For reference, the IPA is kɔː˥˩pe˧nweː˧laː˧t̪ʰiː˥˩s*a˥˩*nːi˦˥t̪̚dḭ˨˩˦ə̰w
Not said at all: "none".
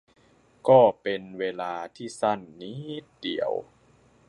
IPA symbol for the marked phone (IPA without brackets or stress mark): a˥˩